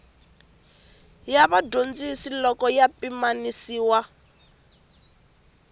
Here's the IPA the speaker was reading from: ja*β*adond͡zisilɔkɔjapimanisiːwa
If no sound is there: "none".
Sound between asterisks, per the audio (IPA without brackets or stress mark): β